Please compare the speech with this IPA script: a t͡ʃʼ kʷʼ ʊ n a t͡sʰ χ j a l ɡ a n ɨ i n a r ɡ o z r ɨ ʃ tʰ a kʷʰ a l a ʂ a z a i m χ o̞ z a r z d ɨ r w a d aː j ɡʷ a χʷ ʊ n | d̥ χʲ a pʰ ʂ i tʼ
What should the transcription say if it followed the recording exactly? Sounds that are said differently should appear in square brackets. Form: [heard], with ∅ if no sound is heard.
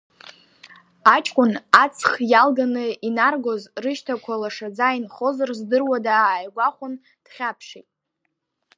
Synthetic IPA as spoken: a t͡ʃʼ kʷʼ ʊ n a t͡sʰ χ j a l ɡ a n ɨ i n a r ɡ o z r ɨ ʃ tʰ a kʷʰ a l a ʂ a [d͡z] a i [n] χ o̞ z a r z d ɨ r w a d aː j ɡʷ a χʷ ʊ n | d̥ χʲ a pʰ ʂ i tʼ